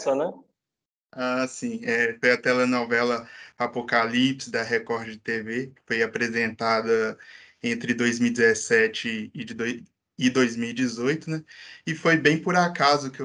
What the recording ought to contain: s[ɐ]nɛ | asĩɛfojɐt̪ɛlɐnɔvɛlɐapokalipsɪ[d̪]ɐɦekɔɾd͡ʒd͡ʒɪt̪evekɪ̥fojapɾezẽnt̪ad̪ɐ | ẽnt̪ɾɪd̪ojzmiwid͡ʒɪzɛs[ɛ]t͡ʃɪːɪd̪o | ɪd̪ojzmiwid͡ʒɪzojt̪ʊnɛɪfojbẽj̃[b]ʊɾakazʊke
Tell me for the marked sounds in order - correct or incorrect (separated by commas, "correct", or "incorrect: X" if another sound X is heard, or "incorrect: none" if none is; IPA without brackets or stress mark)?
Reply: correct, correct, correct, incorrect: p